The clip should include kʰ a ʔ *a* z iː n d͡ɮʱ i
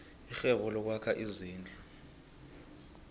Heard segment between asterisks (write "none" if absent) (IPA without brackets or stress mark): i